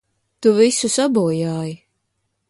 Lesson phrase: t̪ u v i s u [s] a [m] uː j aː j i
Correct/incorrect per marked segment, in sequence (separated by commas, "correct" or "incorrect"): correct, incorrect